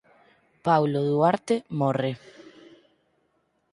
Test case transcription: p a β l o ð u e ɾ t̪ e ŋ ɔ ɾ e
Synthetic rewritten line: p a w l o ð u a ɾ t̪ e m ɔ r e